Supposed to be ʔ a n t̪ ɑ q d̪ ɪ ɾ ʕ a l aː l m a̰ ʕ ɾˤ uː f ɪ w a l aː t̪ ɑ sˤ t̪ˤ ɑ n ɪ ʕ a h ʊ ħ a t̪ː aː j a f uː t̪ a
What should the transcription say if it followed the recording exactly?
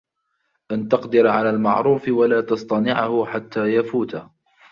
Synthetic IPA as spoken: ʔ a n t̪ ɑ q d̪ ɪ ɾ ʕ a l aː l m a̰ ʕ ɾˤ uː f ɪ w a l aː t̪ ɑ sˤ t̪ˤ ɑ n ɪ ʕ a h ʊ ħ a t̪ː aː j a f uː t̪ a